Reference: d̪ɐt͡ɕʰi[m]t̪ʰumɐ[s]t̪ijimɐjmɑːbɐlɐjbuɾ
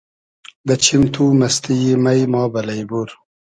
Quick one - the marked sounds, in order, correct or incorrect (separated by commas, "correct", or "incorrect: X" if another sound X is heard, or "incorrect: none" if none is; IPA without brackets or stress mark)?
correct, correct